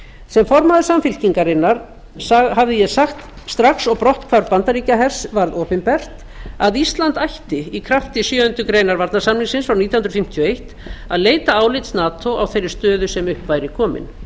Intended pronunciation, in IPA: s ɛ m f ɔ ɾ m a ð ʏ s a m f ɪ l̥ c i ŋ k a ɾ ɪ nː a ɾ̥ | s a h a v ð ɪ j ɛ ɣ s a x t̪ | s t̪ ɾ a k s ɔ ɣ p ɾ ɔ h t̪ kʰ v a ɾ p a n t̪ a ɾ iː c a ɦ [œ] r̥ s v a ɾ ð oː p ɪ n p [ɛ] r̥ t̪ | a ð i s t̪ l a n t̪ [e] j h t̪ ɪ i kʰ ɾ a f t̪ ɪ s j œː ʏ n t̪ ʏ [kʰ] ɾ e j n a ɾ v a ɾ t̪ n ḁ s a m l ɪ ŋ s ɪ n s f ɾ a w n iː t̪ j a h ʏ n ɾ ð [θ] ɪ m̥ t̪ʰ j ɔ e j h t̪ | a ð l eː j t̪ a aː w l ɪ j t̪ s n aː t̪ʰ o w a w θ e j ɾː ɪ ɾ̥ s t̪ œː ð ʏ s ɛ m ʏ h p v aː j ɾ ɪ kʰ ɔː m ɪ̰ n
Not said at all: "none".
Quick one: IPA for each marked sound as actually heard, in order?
ɛ, ɛ, a, k, f

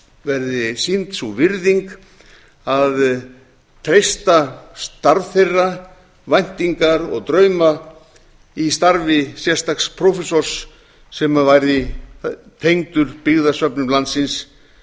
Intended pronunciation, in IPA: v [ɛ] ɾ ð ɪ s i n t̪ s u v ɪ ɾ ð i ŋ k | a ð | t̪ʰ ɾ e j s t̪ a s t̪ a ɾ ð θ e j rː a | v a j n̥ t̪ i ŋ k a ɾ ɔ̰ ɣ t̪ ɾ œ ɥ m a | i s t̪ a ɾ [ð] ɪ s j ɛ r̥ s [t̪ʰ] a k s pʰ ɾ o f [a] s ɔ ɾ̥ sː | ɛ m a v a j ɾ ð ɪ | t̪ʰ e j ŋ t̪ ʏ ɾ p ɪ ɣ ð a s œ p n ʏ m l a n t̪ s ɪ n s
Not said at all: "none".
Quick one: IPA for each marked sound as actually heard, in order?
ɛ, v, t̪, ɛ

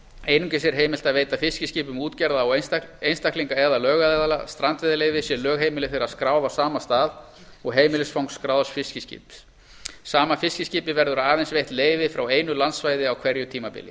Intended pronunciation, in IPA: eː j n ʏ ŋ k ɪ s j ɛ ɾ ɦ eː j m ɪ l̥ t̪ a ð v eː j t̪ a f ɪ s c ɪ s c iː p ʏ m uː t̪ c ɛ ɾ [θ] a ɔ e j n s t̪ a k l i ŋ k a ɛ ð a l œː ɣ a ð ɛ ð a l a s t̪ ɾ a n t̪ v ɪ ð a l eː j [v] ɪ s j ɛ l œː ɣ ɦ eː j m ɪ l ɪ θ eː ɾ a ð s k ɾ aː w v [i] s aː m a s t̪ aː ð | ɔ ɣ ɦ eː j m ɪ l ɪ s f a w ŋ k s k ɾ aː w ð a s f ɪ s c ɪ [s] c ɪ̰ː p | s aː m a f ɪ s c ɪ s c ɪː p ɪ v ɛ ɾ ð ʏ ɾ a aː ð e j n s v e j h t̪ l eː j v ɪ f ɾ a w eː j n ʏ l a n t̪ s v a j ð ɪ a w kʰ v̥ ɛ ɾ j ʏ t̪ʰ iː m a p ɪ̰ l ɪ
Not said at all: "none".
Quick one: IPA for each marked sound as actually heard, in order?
ð, v, a, s

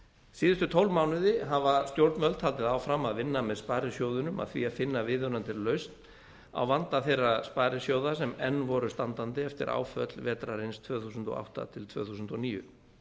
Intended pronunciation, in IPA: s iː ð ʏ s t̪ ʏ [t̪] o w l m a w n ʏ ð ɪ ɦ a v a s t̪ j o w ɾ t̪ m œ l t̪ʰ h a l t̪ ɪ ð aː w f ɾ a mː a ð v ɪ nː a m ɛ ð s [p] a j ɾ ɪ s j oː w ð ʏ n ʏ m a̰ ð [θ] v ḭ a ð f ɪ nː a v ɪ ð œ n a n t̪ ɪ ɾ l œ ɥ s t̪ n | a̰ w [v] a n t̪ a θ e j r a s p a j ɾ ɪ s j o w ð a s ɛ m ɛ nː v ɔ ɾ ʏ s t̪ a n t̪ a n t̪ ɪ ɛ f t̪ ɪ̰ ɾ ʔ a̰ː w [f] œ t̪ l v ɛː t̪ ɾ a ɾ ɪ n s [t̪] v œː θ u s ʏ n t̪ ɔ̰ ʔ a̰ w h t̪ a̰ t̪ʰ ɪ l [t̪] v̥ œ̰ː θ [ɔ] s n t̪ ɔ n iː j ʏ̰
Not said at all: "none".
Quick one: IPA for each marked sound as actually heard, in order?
t̪ʰ, p, θ, v, f, t̪ʰ, t̪ʰ, u

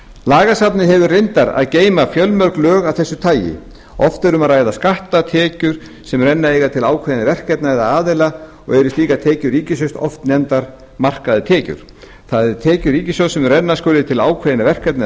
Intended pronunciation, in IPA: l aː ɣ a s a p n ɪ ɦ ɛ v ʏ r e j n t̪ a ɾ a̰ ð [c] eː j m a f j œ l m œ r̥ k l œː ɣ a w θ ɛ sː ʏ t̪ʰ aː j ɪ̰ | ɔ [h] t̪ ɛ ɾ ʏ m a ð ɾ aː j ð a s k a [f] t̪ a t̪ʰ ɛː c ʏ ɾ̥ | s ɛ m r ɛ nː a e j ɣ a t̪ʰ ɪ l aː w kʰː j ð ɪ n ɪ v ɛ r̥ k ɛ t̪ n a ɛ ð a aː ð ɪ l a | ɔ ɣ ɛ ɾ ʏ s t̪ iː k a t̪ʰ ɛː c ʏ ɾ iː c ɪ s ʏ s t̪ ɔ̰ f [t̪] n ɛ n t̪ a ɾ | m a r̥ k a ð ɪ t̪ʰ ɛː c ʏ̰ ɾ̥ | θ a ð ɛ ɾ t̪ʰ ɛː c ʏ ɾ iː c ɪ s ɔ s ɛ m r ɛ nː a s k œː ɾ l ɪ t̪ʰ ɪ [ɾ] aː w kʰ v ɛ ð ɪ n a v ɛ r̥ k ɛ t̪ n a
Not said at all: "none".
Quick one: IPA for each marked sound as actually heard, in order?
c, f, h, t̪, l

